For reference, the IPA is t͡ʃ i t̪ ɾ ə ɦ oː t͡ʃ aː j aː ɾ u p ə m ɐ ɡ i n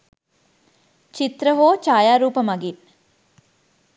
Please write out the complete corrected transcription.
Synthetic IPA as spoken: t͡ʃ i t̪ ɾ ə ɦ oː t͡ʃ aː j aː ɾ uː p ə m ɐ ɡ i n